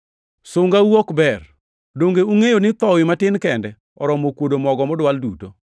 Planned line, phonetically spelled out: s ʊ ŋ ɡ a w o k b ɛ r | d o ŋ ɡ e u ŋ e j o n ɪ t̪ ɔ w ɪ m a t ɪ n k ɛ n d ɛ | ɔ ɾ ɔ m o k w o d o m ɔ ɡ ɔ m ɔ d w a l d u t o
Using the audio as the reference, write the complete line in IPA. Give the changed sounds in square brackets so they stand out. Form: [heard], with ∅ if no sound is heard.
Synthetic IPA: s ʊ ŋ ɡ a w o k b ɛ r | d o ŋ ɡ e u ŋ e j o n ɪ t̪ ɔ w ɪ m a t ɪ n k ɛ n d ɛ | ɔ ɾ ɔ m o k w o d o m ɔ ɡ ɔ m ɔ d w a l d u t o